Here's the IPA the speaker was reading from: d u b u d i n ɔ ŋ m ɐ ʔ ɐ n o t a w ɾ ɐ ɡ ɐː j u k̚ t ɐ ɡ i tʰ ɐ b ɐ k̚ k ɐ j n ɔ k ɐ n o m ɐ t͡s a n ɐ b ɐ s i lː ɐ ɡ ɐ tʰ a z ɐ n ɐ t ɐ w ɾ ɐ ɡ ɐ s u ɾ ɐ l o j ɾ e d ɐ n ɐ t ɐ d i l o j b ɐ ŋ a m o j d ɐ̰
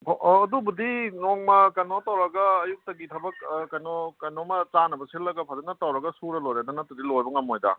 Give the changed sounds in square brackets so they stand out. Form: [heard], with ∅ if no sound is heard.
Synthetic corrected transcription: d u b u d i n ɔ ŋ m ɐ [k] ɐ n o t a w ɾ ɐ ɡ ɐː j u k̚ t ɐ ɡ i tʰ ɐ b ɐ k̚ k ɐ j n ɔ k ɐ n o m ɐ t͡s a n ɐ b ɐ s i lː ɐ ɡ ɐ [pʰ] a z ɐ n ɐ t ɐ w ɾ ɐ ɡ ɐ s u ɾ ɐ l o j ɾ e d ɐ n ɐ t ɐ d i l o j b ɐ ŋ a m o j d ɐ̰